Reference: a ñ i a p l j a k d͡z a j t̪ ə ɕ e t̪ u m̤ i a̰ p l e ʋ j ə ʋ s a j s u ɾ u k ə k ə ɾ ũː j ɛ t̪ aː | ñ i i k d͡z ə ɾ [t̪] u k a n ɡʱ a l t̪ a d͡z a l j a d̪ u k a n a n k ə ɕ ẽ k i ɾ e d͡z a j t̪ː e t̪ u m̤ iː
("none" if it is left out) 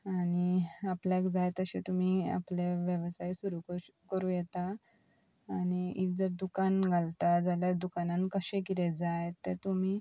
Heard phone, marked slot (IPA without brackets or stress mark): d̪